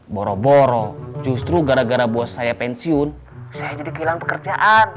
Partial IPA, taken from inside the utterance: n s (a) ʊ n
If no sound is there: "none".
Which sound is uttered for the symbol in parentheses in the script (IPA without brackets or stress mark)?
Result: i